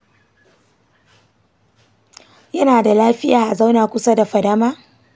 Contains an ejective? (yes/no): no